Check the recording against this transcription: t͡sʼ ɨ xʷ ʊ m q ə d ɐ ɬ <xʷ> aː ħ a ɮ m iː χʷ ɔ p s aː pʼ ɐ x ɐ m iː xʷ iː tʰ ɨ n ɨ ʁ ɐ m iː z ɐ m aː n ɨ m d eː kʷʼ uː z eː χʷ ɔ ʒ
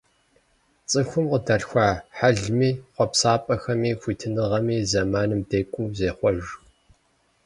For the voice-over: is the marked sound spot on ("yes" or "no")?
yes